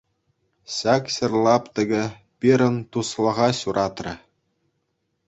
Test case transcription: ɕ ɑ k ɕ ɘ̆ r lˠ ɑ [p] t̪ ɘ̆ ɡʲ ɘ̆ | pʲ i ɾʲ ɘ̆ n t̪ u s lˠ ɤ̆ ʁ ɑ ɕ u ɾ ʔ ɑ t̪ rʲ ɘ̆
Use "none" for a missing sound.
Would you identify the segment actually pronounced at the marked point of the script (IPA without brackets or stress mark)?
p